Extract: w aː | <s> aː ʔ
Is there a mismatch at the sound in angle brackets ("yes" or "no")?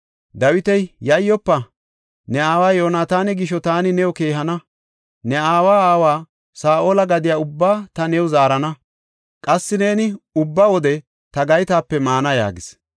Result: no